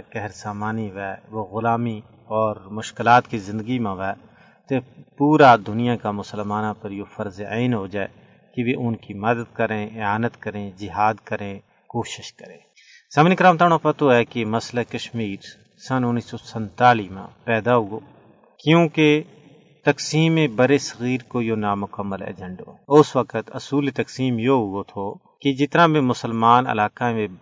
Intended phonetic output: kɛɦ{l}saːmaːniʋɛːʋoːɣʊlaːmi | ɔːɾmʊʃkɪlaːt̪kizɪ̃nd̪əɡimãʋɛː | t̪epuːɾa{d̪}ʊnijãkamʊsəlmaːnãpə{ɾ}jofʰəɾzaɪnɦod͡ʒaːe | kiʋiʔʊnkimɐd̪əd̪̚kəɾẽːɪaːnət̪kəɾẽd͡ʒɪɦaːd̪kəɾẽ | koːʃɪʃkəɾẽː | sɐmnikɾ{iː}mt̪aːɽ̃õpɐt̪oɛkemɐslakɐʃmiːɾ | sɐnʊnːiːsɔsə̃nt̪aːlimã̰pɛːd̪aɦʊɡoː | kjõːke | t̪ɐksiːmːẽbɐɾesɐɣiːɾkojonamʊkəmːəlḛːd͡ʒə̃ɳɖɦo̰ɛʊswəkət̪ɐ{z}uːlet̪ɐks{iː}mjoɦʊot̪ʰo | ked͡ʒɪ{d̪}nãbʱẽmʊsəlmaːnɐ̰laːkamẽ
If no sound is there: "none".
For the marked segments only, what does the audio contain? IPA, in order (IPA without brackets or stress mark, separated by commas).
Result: ɾ, d̪, ɾ, aː, s, iː, t̪